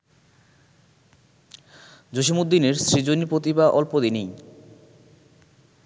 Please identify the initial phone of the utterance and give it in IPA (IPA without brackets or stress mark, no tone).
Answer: d͡ʑ